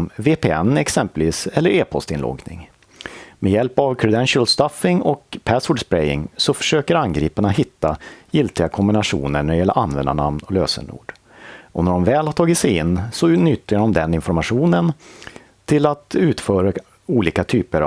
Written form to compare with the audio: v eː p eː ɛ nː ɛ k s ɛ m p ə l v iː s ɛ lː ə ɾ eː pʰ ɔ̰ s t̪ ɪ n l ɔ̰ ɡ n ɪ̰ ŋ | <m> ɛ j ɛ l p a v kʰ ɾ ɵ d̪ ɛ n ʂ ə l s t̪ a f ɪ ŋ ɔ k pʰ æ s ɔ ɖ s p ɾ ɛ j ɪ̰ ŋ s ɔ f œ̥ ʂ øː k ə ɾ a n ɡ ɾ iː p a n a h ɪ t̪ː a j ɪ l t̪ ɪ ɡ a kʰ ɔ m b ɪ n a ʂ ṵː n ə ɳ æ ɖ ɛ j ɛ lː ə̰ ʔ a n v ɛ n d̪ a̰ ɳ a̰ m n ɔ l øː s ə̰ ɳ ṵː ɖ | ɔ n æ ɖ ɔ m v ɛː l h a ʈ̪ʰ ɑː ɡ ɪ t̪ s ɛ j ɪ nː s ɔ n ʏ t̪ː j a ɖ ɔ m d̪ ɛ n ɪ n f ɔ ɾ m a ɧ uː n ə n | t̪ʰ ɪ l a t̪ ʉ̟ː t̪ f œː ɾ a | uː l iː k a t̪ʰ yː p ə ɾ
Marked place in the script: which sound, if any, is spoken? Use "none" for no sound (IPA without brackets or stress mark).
m